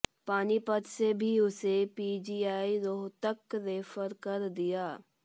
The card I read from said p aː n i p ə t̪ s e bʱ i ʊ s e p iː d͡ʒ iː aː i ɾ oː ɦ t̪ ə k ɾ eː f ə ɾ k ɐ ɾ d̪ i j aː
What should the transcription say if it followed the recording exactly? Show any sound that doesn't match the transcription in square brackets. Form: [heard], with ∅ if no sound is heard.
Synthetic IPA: p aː n i p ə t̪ s e bʱ i ʊ s e p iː d͡ʒ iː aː i ɾ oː ɦ t̪ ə k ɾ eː f ə ɾ k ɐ ɾ d̪ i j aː